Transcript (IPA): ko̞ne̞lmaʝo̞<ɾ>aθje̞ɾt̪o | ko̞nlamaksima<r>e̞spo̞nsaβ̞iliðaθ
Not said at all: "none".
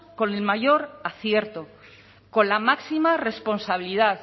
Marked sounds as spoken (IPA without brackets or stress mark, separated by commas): ɾ, r